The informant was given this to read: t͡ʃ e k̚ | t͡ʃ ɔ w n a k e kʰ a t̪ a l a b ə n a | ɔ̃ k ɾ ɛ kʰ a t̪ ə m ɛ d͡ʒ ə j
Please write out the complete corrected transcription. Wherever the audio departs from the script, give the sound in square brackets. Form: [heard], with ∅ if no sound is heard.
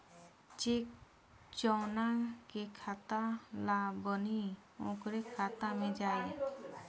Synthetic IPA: t͡ʃ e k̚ | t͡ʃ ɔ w n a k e kʰ a t̪ a l a b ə n [i] | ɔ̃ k ɾ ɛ kʰ a t̪ [a] m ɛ d͡ʒ [a] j